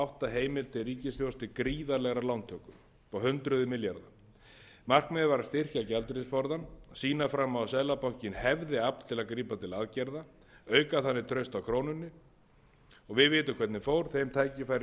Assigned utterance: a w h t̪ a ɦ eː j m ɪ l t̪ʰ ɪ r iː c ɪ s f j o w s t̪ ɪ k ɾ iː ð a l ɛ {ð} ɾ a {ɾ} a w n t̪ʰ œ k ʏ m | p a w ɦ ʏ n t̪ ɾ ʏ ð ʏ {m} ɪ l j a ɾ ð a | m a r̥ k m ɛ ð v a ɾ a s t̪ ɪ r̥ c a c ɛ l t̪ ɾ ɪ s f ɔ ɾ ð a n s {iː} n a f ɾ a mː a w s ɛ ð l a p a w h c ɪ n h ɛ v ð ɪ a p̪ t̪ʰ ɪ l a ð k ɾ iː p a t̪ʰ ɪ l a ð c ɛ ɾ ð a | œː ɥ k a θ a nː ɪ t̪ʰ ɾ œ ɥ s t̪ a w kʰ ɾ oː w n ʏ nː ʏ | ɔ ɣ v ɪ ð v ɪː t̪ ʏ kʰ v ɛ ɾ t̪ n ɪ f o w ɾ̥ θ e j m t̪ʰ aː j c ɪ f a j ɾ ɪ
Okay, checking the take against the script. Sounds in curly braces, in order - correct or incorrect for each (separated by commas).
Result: incorrect, incorrect, correct, correct